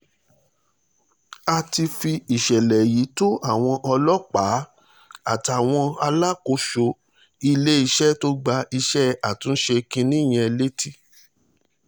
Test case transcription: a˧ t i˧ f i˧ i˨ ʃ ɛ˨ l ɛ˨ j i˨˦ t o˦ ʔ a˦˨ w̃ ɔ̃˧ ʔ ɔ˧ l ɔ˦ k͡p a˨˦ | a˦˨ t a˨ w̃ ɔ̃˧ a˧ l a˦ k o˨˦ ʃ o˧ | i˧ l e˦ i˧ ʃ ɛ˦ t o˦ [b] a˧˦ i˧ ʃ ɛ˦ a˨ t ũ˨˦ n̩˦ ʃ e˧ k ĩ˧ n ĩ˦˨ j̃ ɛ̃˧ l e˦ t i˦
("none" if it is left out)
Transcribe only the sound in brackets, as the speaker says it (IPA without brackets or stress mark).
ɡ͡b